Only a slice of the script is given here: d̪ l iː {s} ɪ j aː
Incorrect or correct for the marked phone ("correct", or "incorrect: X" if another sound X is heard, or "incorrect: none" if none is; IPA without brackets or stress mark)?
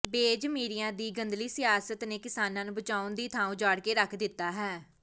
correct